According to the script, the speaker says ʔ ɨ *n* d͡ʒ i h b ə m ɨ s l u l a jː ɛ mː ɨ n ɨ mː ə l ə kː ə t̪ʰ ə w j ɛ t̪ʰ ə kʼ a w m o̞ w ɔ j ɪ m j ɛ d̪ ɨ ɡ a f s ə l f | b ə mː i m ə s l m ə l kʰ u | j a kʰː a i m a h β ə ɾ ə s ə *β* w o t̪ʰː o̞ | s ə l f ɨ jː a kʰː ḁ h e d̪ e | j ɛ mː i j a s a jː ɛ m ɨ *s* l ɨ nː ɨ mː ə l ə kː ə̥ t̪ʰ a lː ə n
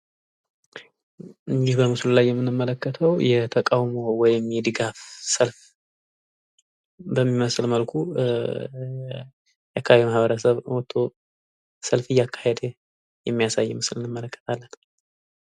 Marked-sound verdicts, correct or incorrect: incorrect: ɲ, correct, correct

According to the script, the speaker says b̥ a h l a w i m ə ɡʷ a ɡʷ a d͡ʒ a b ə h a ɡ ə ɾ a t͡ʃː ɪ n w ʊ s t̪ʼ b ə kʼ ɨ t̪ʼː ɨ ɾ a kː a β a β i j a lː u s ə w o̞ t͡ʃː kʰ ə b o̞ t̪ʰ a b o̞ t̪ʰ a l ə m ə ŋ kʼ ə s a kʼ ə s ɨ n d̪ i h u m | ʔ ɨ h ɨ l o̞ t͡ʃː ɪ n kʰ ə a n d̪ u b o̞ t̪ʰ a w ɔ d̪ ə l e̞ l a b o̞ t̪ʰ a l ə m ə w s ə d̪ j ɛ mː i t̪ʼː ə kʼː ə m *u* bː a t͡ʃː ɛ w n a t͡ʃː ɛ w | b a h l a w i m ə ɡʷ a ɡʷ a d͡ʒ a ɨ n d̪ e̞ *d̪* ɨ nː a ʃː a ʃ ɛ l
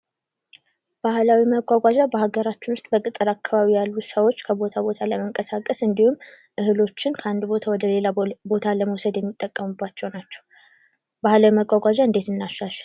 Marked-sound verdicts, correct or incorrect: correct, incorrect: t̪

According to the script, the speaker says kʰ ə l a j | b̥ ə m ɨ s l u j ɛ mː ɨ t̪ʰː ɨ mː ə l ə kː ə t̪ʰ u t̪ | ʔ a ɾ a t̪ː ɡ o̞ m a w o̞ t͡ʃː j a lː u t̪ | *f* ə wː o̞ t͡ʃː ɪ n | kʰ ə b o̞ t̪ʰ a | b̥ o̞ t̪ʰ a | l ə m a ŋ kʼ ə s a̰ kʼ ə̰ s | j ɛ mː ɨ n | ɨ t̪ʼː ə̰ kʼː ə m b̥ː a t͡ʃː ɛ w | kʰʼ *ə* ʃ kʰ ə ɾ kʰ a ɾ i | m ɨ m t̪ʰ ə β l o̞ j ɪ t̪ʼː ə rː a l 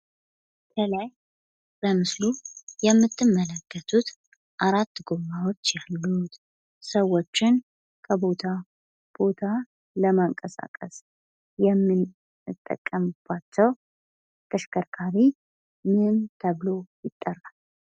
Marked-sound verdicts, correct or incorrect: incorrect: s, correct

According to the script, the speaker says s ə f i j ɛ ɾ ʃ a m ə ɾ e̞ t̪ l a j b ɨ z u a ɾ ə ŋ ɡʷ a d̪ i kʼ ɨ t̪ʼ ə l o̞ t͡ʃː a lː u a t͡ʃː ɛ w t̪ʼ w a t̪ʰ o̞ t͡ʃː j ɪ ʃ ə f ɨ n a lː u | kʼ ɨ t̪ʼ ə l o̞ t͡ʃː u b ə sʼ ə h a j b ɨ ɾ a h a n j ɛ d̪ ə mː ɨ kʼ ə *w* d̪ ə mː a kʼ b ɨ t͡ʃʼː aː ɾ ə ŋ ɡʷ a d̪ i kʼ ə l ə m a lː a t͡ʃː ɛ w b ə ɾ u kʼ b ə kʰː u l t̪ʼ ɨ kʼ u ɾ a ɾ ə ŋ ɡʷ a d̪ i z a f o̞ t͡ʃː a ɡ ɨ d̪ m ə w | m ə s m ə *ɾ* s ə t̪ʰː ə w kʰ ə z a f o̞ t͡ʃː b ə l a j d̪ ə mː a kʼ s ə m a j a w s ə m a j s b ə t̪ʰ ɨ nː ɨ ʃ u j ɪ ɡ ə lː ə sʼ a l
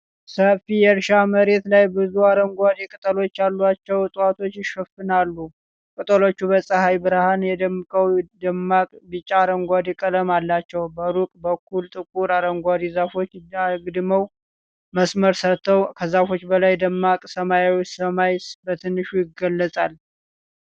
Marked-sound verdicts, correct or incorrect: correct, correct

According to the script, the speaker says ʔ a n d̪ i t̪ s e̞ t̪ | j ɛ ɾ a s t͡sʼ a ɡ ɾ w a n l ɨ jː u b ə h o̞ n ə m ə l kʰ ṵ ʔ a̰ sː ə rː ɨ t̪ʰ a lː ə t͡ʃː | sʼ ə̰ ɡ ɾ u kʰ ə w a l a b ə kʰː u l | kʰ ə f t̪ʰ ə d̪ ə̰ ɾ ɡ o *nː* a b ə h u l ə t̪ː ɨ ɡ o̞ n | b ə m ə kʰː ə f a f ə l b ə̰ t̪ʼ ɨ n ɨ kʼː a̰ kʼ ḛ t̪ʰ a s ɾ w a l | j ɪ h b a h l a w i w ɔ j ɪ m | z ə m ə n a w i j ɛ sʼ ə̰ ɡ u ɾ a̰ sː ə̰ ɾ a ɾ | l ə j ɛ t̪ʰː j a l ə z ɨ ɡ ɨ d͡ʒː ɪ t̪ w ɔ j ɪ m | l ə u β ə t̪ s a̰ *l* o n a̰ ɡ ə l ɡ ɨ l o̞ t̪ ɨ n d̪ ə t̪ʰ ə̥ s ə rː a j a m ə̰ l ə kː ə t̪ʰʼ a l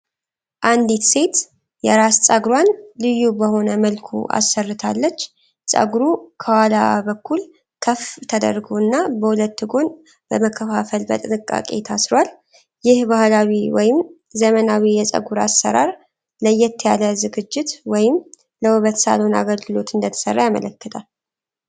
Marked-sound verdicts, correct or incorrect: correct, correct

